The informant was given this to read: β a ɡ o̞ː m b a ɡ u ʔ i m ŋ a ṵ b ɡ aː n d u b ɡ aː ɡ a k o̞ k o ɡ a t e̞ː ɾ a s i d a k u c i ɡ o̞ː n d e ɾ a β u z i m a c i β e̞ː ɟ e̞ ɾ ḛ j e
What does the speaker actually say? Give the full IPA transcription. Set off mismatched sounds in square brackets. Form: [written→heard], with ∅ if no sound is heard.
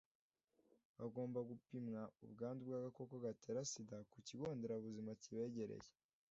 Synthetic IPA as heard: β a ɡ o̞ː m b a ɡ u [ʔ→p] i m ŋ a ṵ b ɡ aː n d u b ɡ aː ɡ a k o̞ k o ɡ a t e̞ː ɾ a s i d a k u c i ɡ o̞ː n d e ɾ a β u z i m a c i β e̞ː ɟ e̞ ɾ ḛ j e